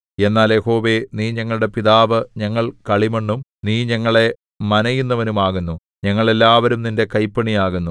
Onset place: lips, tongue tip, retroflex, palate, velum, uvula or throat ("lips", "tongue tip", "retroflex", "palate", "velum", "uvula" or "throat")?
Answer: tongue tip